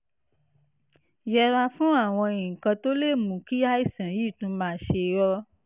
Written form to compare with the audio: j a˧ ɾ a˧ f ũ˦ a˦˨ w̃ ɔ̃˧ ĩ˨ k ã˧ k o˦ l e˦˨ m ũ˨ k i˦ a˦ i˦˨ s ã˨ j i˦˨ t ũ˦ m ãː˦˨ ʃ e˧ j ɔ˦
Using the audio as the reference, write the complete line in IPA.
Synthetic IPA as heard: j ɛ˧ ɾ a˧ f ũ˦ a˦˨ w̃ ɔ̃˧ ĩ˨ k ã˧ t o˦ l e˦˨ m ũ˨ k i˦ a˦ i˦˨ s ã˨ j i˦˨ t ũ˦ m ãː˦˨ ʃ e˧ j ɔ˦